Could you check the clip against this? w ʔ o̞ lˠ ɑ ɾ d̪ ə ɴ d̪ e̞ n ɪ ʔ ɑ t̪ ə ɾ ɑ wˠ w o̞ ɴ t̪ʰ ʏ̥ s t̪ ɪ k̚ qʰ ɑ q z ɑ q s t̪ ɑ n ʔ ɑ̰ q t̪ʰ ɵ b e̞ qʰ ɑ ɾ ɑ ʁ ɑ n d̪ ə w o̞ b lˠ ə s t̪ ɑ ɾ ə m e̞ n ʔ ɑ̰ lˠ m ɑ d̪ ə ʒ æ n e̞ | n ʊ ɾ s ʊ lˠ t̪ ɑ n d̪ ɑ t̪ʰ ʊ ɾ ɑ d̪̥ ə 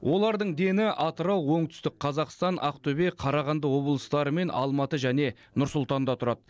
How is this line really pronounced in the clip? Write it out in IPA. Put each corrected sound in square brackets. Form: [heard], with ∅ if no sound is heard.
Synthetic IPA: w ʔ o̞ lˠ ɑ ɾ d̪ ə ɴ d̪ e̞ n ɪ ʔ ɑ t̪ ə ɾ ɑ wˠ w o̞ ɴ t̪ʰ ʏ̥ s t̪ ɪ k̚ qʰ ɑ [∅] z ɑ q s t̪ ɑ n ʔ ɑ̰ q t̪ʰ ɵ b e̞ qʰ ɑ ɾ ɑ ʁ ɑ n d̪ ə w o̞ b lˠ ə s t̪ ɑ ɾ ə m e̞ n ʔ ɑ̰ lˠ m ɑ [t̪] ə ʒ æ n e̞ | n ʊ ɾ s ʊ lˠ t̪ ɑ n d̪ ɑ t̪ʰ ʊ ɾ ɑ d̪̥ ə